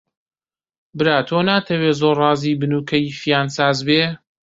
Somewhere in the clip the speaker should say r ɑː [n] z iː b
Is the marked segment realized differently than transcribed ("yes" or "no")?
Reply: yes